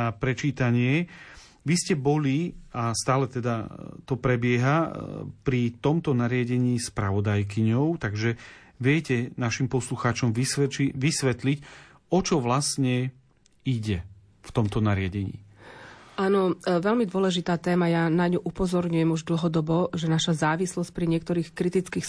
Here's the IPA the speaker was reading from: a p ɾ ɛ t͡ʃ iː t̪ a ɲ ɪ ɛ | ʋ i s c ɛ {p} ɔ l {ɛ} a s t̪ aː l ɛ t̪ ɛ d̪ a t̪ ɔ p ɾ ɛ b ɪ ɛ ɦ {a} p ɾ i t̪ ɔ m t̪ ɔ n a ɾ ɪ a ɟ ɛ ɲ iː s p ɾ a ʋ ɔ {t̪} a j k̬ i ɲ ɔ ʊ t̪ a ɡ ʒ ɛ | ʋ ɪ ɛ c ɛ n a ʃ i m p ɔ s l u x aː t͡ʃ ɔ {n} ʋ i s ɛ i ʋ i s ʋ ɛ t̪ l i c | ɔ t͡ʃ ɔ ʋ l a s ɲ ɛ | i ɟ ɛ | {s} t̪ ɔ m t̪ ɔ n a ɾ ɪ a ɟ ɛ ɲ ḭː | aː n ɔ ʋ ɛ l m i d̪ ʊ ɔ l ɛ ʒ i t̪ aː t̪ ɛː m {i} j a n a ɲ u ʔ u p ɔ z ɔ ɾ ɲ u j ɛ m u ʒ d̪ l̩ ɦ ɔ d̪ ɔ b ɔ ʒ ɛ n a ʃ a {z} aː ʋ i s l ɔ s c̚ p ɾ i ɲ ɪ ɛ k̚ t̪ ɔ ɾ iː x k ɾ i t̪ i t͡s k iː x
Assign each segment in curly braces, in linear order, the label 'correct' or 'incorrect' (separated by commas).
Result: incorrect, incorrect, correct, incorrect, incorrect, incorrect, incorrect, correct